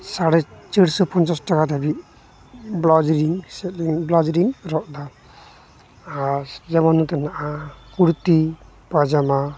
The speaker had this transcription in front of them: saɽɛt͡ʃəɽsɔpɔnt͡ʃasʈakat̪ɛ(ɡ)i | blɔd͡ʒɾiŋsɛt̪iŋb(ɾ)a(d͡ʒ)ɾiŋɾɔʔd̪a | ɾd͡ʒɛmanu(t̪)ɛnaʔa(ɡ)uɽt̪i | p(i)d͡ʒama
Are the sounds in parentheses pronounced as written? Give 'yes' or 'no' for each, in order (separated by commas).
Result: no, no, yes, yes, no, no